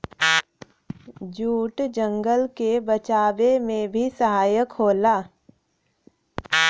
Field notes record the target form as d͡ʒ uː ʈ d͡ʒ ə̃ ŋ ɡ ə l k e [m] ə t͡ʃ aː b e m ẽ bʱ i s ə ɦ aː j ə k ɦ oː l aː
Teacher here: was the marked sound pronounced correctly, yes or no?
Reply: no